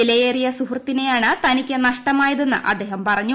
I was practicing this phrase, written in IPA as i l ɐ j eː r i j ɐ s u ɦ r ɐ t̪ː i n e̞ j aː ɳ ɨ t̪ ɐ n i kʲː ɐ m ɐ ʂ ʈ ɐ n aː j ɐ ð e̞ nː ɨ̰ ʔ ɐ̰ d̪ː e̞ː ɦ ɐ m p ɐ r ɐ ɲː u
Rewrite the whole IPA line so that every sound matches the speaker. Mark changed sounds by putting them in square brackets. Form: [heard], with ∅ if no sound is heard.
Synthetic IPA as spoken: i l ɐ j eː r i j ɐ s u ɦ r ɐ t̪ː i n e̞ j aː ɳ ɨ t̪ ɐ n i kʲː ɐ [n] ɐ ʂ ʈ ɐ [m] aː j ɐ ð e̞ nː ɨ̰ ʔ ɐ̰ d̪ː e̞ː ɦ ɐ m p ɐ r ɐ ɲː u